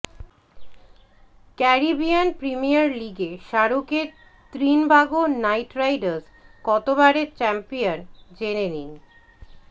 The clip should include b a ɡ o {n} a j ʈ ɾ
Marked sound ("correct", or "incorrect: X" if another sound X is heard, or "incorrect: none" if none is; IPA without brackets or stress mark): correct